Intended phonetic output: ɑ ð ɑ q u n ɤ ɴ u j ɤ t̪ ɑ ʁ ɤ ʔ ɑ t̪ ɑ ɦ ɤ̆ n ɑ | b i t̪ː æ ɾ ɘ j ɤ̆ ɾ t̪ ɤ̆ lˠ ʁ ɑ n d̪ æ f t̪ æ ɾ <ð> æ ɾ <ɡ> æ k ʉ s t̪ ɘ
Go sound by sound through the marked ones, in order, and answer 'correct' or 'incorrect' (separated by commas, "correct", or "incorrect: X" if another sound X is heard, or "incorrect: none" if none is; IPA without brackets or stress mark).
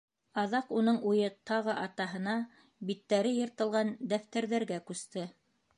correct, correct